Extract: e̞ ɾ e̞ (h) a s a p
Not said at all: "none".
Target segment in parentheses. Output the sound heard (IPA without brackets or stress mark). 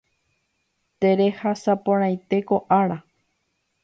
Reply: h